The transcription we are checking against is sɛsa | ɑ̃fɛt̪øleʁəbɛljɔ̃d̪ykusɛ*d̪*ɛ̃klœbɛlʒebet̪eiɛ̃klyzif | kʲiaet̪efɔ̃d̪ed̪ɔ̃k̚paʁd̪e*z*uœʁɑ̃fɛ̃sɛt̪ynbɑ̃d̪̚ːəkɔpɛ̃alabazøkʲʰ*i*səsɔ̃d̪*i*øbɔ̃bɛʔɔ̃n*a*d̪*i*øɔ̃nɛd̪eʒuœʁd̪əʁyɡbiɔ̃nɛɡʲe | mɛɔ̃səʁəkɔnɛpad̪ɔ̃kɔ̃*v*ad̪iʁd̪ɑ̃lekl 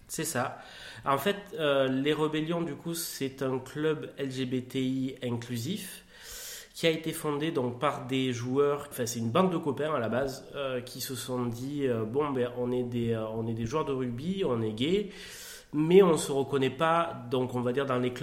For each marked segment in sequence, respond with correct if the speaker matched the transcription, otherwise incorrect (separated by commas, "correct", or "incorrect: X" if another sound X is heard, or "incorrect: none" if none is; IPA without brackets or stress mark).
incorrect: t̪, incorrect: ʒ, correct, correct, incorrect: ɛ, incorrect: e, correct